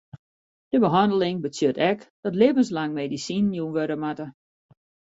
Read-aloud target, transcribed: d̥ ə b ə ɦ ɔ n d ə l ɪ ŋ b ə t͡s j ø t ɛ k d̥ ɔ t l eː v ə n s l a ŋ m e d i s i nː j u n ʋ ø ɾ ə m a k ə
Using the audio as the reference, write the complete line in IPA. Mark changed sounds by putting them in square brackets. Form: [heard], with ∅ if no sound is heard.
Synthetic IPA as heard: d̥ ə b ə ɦ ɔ n d ə l ɪ ŋ b ə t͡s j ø t ɛ k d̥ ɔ t l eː v ə n s l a ŋ m e d i s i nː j u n ʋ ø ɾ ə m a [t] ə